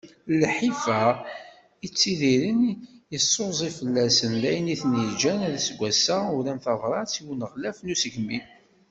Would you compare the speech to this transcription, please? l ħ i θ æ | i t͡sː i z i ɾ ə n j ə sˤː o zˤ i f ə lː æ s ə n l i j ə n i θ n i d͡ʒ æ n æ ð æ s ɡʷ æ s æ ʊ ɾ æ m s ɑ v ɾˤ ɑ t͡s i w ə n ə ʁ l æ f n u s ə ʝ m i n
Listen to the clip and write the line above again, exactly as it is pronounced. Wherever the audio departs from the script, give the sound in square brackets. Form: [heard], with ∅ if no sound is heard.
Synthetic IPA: l ħ i [f] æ | i t͡sː i [ð] i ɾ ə n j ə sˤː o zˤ i f ə lː æ s ə n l [æ] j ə n i θ n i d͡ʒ æ n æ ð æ s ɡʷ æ s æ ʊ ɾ æ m [θ] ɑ v ɾˤ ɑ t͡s i w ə n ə ʁ l æ f n u s ə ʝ m i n